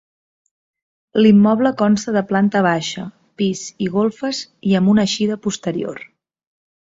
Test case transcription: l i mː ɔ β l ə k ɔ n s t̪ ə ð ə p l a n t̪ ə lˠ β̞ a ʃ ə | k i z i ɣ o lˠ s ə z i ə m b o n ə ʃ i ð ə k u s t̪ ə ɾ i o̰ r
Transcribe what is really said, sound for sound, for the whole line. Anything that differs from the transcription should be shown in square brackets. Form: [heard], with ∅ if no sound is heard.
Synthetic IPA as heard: l i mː ɔ β l ə k ɔ n s t̪ ə ð ə p l a n t̪ ə [∅] β̞ a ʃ ə | [p] i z i ɣ o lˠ [f] ə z i ə m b [u] n ə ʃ i ð ə [p] u s t̪ ə ɾ i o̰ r